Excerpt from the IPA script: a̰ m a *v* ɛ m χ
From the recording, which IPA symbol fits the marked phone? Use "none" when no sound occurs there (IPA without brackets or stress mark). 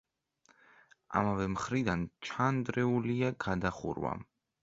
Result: v